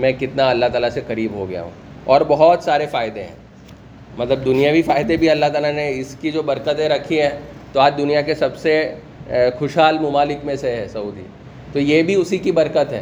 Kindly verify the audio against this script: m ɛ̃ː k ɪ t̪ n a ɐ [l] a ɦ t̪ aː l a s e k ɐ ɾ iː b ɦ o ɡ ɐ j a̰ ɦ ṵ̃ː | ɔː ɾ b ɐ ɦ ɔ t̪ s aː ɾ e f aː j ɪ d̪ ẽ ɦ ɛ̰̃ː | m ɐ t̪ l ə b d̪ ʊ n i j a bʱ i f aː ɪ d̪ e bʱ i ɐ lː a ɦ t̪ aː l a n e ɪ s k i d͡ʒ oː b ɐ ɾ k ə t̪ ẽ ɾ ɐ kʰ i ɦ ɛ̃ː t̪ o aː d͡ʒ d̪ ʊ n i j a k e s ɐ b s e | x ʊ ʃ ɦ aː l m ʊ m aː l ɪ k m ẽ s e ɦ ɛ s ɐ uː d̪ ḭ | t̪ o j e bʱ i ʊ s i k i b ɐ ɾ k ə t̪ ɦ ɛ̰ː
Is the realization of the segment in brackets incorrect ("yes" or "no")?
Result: yes